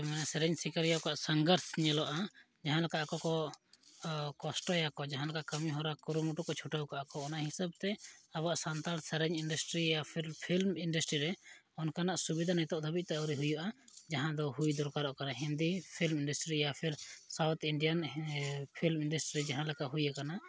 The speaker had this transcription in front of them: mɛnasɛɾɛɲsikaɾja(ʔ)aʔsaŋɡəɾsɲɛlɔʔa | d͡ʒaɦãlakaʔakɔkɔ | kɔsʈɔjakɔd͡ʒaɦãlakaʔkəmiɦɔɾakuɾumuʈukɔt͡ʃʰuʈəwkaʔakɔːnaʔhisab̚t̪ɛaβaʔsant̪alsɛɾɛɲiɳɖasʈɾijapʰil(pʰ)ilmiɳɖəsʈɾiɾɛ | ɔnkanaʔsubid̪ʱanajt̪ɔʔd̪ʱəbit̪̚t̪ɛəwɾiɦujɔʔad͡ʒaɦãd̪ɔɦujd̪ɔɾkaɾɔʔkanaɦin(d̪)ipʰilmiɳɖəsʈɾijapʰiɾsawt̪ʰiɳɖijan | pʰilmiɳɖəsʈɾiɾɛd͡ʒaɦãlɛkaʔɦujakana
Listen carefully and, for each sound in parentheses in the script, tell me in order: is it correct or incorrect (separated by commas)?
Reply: incorrect, correct, correct